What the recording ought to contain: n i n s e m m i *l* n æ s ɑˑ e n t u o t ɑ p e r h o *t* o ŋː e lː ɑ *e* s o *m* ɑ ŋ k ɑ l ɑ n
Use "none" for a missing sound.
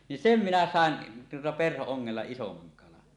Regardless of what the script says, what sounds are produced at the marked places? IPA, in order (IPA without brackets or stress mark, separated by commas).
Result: none, none, i, m